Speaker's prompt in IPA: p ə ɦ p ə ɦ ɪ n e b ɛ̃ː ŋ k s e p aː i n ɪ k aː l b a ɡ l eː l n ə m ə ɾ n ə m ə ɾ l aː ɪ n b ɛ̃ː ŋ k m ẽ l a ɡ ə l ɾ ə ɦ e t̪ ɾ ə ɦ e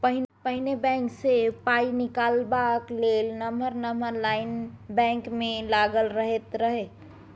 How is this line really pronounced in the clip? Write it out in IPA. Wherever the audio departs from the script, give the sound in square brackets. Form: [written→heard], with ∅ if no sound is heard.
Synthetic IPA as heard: p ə ɦ p ə ɦ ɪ n e b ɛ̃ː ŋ k s e p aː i n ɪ k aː l b a [ɡ→k] l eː l n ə m ə ɾ n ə m ə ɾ l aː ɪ n b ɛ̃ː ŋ k m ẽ l a ɡ ə l ɾ ə ɦ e t̪ ɾ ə ɦ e